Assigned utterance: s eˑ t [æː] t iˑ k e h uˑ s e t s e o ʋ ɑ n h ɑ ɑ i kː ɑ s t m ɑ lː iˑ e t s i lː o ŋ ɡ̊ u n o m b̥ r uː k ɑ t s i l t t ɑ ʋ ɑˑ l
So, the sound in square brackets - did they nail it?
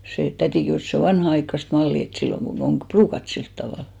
no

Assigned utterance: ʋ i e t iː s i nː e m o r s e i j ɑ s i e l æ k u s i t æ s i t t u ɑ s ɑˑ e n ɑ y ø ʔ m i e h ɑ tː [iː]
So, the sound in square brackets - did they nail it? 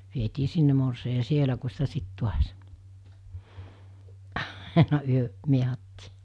yes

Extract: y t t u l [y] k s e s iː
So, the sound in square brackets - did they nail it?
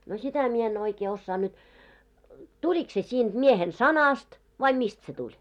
no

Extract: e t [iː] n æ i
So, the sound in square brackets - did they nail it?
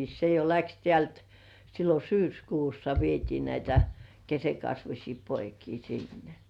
yes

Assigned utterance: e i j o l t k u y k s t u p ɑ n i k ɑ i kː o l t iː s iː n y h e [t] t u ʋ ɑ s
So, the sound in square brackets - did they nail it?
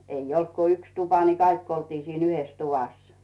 no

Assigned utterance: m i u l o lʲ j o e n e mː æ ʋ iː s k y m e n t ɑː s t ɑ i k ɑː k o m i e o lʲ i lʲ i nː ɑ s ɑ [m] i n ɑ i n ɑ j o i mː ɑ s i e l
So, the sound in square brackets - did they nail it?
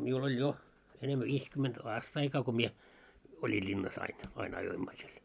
no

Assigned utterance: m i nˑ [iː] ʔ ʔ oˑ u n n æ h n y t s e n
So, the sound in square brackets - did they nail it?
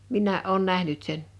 no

